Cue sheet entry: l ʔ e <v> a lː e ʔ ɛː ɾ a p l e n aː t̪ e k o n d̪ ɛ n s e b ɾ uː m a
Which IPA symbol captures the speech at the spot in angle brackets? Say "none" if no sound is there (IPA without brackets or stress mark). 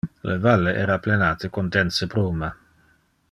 v